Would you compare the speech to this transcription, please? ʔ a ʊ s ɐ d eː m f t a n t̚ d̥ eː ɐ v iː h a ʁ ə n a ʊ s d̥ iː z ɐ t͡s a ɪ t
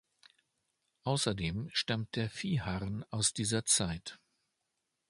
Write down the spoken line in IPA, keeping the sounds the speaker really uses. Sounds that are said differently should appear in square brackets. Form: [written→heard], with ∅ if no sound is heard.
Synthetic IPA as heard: ʔ a ʊ s ɐ d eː m [f→ʃ] t a [n→m] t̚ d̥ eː ɐ [v→f] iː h a ʁ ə n a ʊ s d̥ iː z ɐ t͡s a ɪ t